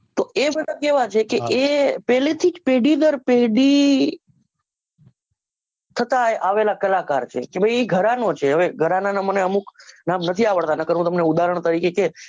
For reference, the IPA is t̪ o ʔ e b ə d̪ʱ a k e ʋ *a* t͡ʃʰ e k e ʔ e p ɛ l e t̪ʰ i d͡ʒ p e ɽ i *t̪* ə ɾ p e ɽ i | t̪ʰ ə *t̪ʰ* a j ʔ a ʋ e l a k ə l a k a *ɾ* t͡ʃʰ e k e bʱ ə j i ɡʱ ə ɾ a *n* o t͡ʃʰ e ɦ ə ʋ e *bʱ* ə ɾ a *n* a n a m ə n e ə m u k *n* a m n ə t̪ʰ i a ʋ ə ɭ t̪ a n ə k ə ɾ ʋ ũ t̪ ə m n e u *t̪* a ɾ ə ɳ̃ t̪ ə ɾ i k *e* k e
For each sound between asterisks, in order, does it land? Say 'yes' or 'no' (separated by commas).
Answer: yes, no, no, yes, yes, no, yes, yes, no, yes